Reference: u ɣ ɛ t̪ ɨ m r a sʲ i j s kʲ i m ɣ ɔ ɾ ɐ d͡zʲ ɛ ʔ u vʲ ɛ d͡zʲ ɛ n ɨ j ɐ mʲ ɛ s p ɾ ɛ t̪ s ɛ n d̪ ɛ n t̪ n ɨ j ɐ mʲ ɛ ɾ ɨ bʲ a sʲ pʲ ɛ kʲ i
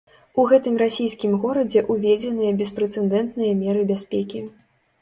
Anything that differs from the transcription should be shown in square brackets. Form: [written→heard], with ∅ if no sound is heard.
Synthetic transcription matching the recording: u ɣ ɛ t̪ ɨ m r a sʲ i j s kʲ i m ɣ ɔ ɾ ɐ d͡zʲ ɛ ʔ u vʲ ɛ d͡zʲ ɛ n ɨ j ɐ [mʲ→bʲ] ɛ s p ɾ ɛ t̪ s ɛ n d̪ ɛ n t̪ n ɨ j ɐ mʲ ɛ ɾ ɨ bʲ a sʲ pʲ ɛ kʲ i